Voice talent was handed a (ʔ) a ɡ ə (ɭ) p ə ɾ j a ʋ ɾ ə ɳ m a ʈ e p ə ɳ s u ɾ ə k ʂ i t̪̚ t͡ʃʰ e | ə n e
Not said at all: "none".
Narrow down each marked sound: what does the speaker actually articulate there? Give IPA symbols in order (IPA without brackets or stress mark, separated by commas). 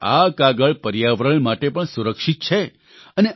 k, ɭ